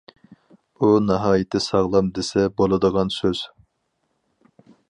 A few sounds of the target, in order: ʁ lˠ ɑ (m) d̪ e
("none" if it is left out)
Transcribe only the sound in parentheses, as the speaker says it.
m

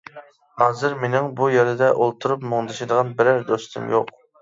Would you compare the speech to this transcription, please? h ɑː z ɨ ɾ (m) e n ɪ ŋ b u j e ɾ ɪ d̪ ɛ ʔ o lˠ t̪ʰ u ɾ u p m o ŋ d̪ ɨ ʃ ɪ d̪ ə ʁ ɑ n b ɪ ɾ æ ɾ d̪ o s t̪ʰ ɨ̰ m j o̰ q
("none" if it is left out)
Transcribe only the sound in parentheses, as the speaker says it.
m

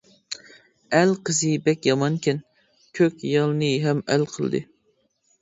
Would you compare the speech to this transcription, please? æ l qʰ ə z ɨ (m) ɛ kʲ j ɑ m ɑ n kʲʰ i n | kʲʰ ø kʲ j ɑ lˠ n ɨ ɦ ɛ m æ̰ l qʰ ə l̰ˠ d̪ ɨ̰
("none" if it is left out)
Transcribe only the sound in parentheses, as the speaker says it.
b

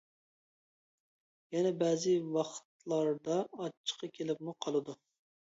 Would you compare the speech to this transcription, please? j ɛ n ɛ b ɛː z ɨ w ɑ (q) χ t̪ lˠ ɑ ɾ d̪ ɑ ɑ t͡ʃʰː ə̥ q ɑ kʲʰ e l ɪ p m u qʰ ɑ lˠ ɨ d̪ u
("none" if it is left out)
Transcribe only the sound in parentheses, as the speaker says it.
none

